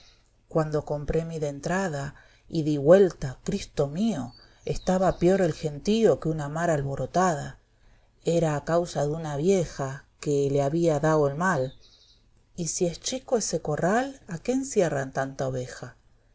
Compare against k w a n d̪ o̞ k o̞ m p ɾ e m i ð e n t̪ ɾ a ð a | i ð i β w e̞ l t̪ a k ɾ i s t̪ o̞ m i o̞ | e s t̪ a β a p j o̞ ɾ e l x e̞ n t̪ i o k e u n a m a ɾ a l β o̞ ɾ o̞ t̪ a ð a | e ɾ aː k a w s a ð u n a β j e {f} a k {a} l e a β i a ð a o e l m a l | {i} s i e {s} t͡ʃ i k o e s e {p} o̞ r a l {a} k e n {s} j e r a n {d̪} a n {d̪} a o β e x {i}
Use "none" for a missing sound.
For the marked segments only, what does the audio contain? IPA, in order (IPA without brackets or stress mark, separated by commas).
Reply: x, e, i, s, k, a, s, t̪, t̪, a